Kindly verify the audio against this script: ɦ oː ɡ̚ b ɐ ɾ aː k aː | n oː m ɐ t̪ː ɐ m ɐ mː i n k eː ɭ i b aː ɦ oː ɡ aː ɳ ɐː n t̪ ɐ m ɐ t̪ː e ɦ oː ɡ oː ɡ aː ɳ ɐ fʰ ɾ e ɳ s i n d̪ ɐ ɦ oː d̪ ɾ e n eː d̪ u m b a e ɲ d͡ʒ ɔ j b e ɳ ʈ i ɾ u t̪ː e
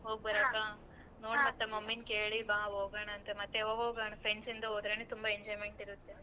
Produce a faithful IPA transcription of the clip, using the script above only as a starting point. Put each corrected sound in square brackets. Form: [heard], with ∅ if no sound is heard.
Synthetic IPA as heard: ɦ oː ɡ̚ b ɐ ɾ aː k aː | n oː m ɐ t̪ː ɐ m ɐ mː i n k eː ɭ i b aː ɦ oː ɡ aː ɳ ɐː n t̪ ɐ m ɐ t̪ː e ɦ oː ɡ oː ɡ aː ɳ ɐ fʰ ɾ e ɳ s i n d̪ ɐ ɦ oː d̪ ɾ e n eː [t̪] u m b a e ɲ d͡ʒ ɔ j [m] e ɳ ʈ i ɾ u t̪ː e